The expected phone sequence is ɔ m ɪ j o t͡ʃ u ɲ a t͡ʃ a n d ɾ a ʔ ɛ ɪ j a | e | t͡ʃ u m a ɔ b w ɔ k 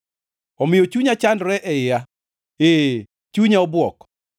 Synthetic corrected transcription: ɔ m ɪ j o t͡ʃ u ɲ a t͡ʃ a n d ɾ ɛ ʔ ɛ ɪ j a | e | t͡ʃ u ɲ a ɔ b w ɔ k